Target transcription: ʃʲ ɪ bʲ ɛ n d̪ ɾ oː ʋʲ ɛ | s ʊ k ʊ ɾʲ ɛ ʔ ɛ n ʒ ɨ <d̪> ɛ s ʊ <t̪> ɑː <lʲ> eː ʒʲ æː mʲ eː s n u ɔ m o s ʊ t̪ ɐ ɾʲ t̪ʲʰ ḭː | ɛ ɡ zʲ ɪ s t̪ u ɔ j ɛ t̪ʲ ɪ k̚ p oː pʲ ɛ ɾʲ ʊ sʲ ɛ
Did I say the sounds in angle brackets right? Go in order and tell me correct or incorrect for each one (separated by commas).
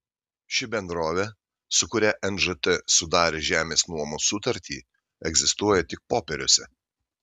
incorrect, incorrect, incorrect